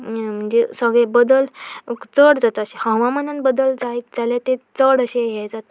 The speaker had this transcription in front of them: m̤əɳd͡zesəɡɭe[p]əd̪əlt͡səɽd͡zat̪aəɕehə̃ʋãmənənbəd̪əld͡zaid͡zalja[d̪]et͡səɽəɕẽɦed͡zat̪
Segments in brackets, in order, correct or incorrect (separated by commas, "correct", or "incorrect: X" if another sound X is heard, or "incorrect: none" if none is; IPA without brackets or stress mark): incorrect: b, incorrect: t̪